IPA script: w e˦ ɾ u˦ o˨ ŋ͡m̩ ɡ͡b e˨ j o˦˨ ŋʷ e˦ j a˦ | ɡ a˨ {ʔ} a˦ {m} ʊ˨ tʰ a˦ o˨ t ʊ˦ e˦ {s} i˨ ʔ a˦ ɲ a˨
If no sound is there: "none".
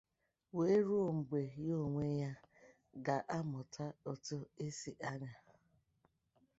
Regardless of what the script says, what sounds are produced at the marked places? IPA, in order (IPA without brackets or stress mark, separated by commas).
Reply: ʔ, m, s